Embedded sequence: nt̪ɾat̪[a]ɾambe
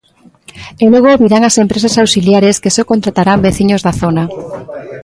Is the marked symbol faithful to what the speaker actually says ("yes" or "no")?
yes